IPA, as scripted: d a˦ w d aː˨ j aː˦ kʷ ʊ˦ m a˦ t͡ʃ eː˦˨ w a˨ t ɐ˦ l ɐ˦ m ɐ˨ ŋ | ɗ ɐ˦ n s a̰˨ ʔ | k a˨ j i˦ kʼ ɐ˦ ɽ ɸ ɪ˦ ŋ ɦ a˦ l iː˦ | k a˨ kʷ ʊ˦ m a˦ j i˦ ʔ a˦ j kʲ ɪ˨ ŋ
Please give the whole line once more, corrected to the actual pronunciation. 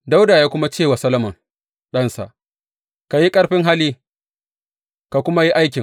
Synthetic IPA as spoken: d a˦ w d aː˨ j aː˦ kʷ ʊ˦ m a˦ t͡ʃ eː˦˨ w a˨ s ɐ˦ l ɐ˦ m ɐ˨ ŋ | ɗ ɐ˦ n s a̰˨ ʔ | k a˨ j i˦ kʼ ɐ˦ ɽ ɸ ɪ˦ ŋ ɦ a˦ l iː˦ | k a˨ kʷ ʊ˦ m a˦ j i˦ ʔ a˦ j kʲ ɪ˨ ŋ